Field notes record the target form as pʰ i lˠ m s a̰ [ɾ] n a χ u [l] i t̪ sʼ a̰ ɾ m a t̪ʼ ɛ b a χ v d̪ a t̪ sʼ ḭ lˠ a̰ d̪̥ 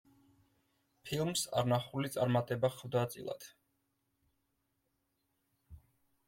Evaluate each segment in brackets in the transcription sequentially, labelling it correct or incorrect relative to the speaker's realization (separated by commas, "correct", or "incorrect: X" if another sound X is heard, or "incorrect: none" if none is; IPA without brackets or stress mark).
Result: correct, correct